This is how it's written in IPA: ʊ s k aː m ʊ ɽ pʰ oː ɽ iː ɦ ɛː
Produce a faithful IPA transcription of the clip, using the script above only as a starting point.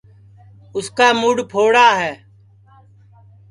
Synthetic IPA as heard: ʊ s k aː m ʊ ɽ pʰ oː ɽ aː ɦ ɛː